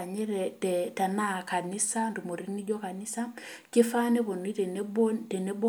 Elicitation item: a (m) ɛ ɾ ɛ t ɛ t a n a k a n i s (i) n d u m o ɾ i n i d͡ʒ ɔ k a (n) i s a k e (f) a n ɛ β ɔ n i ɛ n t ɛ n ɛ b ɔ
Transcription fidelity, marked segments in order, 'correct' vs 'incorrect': incorrect: ɲ, incorrect: a, correct, correct

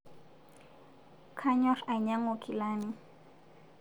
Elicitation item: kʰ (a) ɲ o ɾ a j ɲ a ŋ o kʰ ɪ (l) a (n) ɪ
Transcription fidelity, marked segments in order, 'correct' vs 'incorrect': correct, correct, correct

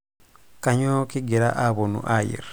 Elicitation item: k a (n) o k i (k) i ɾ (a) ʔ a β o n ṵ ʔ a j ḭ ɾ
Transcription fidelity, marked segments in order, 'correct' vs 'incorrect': incorrect: ɲ, incorrect: ɡ, correct

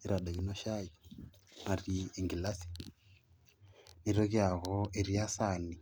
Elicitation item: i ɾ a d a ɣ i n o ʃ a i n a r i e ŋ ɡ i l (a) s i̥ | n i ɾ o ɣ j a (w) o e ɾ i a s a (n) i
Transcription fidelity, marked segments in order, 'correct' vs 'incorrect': correct, incorrect: ɣ, correct

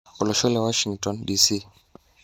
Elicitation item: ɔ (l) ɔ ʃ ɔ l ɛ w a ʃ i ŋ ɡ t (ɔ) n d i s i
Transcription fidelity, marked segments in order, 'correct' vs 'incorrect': correct, correct

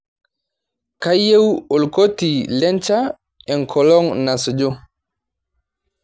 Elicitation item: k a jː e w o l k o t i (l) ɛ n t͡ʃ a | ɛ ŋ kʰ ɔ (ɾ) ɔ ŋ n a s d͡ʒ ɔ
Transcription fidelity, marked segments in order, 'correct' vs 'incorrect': correct, incorrect: l

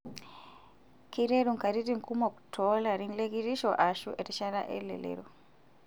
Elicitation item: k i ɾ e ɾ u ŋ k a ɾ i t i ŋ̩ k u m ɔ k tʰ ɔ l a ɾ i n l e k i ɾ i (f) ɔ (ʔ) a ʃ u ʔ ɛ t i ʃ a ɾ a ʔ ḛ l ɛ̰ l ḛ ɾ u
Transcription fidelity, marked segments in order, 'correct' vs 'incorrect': incorrect: ʃ, correct

